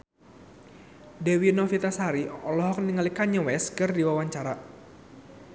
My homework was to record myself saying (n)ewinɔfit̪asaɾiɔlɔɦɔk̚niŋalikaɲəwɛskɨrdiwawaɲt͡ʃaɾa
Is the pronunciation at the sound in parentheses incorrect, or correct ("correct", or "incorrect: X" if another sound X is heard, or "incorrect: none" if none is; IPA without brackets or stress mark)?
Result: incorrect: d